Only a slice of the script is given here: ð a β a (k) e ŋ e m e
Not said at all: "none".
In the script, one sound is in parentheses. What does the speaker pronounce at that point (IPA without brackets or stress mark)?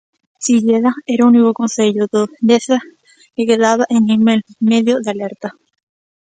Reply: ʔ